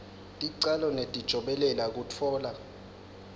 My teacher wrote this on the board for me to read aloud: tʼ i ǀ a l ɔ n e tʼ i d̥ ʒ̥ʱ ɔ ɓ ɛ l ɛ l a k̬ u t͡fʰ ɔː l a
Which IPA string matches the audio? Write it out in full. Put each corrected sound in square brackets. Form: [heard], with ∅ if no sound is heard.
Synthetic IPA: tʼ i ǀ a l ɔ n e tʼ i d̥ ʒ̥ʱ ɔ ɓ ɛ l ɛ l a k̬ u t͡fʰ ɔː l a